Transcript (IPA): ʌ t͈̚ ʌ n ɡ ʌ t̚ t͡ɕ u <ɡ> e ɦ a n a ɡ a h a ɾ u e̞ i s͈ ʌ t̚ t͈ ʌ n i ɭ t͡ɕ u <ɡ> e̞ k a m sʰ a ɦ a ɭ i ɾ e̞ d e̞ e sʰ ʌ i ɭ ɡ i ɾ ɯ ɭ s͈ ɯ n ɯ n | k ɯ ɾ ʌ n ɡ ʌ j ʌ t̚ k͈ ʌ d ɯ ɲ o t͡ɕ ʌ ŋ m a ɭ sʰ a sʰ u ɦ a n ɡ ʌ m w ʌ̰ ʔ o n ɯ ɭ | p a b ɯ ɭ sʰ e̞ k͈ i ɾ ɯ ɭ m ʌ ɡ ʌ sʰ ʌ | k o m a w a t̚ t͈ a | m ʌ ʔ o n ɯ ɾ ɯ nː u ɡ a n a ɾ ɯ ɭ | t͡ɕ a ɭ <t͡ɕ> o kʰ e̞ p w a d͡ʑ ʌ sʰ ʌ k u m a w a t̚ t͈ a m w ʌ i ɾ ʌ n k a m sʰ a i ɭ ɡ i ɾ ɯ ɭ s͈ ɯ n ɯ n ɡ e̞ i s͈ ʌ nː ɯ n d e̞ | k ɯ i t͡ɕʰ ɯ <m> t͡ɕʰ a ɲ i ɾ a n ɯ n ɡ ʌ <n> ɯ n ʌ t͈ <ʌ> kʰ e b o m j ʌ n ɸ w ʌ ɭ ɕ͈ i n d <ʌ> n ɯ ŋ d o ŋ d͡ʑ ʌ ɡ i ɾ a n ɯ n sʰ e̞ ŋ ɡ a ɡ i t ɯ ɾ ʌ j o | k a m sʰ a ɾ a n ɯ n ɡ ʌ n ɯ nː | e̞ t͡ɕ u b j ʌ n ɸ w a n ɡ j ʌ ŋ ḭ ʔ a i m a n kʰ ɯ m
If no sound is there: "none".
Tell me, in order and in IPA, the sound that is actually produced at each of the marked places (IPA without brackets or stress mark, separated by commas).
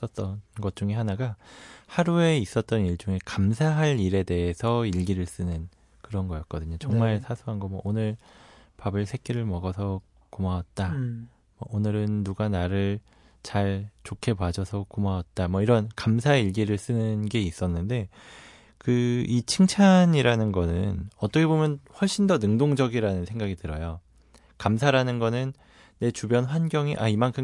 ŋ, ŋ, t͡ɕ, ŋ, n, ʌ, ʌ